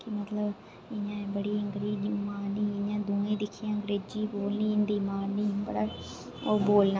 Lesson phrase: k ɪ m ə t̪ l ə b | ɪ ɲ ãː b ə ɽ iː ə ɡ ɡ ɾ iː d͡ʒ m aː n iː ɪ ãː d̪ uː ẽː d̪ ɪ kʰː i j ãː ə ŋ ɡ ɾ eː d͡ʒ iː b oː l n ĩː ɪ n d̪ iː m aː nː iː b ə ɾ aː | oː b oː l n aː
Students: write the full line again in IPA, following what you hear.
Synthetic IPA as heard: k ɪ m ə t̪ l ə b | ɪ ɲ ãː b ə ɽ iː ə ŋ ɡ ɾ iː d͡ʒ m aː n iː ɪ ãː d̪ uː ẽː d̪ ɪ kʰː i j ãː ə ŋ ɡ ɾ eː d͡ʒ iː b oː l n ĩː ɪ n d̪ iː m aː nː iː b ə ɽ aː | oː b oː l n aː